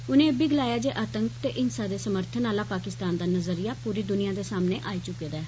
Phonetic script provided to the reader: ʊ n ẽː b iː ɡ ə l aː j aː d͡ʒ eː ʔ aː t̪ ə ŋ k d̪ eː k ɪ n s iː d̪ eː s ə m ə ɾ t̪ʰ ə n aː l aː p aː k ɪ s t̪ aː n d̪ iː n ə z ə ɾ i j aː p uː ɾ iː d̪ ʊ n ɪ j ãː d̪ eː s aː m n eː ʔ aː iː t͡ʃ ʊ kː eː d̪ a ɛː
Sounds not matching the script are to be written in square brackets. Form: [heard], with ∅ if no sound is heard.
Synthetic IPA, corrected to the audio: ʊ n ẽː b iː ɡ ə l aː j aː d͡ʒ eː ʔ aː t̪ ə ŋ k [t̪] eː [ʔ] ɪ n s [aː] d̪ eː s ə m ə ɾ t̪ʰ ə n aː l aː p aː k ɪ s t̪ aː n d̪ [aː] n ə z ə ɾ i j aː p uː ɾ iː d̪ ʊ n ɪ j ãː d̪ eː s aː m n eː ʔ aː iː t͡ʃ ʊ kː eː d̪ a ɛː